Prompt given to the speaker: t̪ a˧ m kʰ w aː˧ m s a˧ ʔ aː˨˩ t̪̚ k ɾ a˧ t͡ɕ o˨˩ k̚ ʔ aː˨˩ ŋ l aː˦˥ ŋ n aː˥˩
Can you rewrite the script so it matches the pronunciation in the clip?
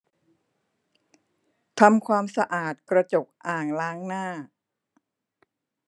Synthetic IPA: t̪ʰ a˧ m kʰ w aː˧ m s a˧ ʔ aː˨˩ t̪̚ k ɾ a˧ t͡ɕ o˨˩ k̚ ʔ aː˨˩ ŋ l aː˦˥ ŋ n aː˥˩